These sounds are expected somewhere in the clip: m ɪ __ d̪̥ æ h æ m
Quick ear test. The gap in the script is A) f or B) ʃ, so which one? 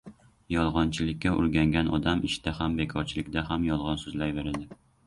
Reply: B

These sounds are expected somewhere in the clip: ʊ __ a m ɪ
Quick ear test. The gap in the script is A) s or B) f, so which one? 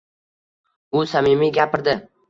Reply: A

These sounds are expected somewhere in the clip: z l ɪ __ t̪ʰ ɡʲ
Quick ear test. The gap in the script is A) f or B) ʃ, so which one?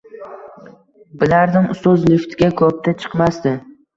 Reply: A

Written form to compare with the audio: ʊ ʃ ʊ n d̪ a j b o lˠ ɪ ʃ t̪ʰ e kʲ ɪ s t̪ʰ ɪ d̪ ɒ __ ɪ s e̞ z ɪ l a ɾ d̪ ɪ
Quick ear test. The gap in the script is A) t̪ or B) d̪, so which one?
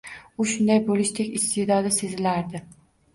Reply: B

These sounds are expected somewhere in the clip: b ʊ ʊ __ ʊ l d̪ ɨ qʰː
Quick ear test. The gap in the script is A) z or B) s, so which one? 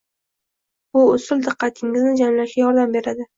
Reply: B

